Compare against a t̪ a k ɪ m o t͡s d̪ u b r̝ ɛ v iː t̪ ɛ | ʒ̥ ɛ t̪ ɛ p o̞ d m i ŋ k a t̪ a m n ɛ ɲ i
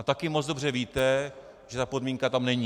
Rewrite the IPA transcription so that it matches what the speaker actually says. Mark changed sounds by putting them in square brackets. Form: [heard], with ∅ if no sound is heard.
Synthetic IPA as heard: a t̪ a k ɪ m o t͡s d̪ [o] b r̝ ɛ v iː t̪ ɛ | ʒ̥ ɛ t̪ [a] p o̞ d m i ŋ k a t̪ a m n ɛ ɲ i